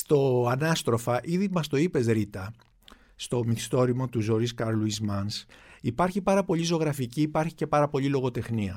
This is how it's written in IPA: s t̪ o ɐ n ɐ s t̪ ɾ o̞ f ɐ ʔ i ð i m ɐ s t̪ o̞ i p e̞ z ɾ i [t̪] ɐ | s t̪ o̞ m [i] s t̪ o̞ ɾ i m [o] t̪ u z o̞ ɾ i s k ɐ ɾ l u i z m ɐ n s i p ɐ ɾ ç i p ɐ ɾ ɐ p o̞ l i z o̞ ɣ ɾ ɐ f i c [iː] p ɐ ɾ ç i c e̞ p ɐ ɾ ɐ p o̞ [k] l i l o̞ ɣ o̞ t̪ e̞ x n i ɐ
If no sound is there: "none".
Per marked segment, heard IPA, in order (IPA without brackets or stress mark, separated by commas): t̪, i, o, iː, none